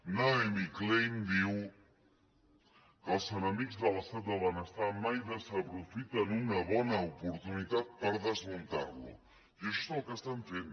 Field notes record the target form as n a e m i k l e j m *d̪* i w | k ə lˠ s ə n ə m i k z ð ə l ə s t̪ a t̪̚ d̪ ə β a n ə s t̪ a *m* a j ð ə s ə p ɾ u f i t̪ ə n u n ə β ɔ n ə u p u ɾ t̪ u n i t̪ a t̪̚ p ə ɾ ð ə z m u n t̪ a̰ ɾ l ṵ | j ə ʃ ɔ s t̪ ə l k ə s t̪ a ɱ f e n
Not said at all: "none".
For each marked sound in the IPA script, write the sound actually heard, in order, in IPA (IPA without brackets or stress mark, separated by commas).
d̪, m